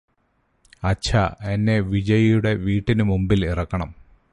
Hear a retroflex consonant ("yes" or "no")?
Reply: yes